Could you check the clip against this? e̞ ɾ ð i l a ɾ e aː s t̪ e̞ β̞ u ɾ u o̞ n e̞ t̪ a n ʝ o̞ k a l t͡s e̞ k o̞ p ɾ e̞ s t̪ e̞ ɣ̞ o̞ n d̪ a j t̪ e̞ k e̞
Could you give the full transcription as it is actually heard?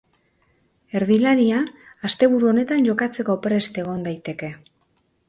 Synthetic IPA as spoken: e̞ ɾ ð i l a ɾ i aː s t̪ e̞ β̞ u ɾ u o̞ n e̞ t̪ a n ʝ o̞ k a t͡s e̞ k o̞ p ɾ e̞ s t̪ e̞ ɣ̞ o̞ n d̪ a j t̪ e̞ k e̞